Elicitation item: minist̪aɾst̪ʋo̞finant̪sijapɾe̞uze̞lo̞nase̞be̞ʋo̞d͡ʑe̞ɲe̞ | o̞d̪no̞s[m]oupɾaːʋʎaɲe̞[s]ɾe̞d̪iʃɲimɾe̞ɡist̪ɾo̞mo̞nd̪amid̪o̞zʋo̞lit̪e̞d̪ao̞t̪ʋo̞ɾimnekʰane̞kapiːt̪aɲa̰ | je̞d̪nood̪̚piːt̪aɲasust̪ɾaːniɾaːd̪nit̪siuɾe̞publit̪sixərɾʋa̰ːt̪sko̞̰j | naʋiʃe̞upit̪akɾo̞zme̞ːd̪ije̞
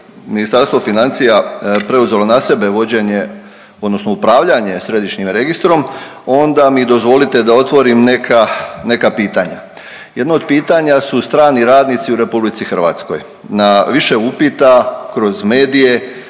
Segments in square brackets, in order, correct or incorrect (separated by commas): incorrect, correct